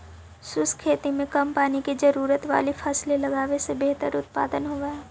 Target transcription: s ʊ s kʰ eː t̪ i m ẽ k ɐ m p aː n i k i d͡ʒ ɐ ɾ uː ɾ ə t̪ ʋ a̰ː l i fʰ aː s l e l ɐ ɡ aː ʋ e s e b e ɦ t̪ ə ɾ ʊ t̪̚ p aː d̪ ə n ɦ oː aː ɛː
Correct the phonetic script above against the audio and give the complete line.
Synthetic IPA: s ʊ s kʰ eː t̪ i m ẽ k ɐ m p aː n i k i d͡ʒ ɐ ɾ uː ɾ ə t̪ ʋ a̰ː l i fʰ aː s l e l ɐ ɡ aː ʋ e s e b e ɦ t̪ ə ɾ ʊ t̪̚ p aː d̪ ə n ɦ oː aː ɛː